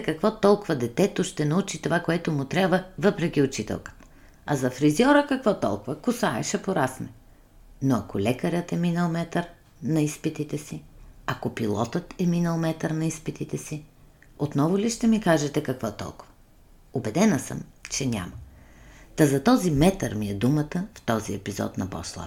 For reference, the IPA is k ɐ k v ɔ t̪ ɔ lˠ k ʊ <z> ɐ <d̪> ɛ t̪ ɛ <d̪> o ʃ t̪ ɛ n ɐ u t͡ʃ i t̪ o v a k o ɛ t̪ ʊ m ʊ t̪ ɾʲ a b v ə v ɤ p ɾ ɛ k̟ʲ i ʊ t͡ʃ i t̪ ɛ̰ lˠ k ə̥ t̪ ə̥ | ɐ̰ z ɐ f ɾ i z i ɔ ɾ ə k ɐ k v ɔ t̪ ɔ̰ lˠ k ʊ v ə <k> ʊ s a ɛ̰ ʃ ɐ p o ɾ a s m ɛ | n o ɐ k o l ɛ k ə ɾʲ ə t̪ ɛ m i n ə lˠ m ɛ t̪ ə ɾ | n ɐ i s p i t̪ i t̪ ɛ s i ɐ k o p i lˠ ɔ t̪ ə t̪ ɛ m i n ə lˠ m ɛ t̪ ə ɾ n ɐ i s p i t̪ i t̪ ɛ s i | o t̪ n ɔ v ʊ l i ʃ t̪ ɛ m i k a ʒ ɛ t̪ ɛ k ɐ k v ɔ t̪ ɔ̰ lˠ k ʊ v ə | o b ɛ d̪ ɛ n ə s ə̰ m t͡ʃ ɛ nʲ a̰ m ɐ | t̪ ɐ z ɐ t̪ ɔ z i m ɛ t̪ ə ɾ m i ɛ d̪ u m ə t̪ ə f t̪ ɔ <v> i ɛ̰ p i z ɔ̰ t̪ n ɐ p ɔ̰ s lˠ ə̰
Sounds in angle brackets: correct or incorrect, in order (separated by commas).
incorrect, correct, incorrect, correct, incorrect